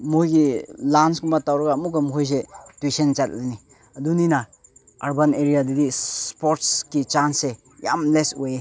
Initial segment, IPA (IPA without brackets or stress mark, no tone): m